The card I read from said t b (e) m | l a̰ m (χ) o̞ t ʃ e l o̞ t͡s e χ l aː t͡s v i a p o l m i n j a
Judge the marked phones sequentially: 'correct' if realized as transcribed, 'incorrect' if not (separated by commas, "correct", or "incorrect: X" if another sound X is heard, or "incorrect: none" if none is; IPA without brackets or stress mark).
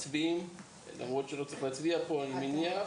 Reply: incorrect: i, incorrect: ʁ